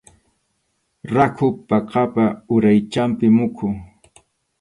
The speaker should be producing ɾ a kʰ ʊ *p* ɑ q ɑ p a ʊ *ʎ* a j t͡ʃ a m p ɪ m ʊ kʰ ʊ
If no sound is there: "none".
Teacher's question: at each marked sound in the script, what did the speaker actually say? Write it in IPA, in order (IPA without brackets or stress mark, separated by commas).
p, ɾ